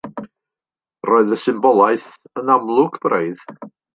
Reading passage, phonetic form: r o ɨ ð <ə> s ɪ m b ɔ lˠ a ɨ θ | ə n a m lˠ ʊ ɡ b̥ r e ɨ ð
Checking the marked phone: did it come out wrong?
no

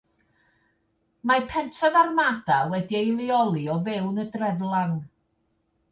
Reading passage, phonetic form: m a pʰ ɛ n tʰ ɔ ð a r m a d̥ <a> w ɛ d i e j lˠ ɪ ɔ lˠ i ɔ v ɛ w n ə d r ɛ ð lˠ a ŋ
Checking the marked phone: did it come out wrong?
no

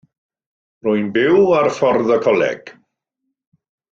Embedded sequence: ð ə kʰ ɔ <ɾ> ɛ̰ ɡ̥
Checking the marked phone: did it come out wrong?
yes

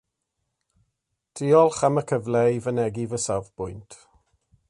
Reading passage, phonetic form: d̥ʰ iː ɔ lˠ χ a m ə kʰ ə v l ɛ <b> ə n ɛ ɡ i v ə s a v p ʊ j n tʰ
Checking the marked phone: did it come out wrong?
yes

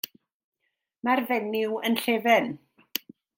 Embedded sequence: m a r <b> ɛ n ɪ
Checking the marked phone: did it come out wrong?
yes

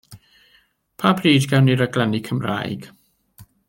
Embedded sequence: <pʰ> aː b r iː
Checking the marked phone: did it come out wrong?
no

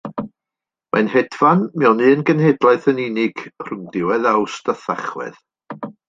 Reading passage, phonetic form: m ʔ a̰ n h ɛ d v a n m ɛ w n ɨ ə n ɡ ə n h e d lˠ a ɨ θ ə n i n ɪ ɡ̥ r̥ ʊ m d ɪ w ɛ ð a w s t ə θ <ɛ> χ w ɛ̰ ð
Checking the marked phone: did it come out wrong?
yes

